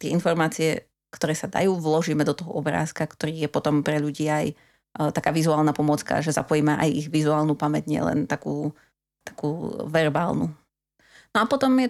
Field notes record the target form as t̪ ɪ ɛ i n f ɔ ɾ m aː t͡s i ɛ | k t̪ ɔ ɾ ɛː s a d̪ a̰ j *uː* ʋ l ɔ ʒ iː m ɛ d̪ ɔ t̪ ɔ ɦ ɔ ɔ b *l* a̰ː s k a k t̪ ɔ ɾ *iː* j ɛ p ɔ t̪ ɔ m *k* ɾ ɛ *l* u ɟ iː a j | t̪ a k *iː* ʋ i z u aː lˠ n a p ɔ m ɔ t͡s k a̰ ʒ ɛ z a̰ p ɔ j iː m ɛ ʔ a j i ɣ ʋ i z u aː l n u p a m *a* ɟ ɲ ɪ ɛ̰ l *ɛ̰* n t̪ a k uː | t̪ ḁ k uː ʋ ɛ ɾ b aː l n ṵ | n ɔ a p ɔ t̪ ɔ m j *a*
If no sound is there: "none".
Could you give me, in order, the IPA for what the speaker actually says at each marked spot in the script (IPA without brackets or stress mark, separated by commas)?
uː, ɾ, iː, p, ʎ, aː, ɛ, ɛ̰, ɛ